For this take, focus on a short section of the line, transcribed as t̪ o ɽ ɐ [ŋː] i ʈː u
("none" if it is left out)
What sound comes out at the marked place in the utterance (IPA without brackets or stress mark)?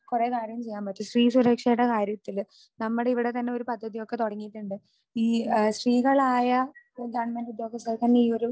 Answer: ŋː